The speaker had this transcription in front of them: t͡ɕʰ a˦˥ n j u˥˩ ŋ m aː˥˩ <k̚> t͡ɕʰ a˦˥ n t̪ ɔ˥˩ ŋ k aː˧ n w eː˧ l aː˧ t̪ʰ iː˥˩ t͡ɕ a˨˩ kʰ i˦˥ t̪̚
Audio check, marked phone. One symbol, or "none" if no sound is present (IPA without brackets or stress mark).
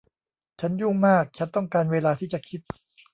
k̚